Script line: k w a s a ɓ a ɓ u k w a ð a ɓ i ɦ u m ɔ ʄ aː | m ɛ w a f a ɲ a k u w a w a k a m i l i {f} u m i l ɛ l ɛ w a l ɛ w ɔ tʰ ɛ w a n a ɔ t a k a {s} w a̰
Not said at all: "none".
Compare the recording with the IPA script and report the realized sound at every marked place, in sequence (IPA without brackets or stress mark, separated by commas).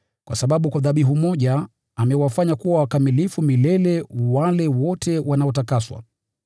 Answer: f, s